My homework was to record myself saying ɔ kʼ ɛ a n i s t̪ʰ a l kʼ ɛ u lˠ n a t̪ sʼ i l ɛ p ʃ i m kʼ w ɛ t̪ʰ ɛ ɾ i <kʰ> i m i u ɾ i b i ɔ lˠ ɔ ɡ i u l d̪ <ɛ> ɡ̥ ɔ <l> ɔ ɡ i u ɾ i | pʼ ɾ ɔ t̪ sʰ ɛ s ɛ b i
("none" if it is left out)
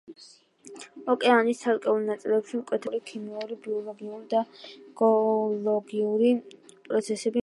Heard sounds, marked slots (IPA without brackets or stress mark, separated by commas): kʰ, a, l